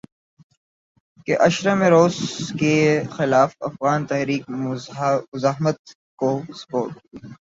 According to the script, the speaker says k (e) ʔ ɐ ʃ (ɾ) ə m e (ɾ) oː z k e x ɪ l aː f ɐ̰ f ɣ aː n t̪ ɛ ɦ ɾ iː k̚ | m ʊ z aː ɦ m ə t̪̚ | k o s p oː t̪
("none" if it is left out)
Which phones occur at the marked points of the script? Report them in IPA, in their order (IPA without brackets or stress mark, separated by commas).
e, ɾ, ɾ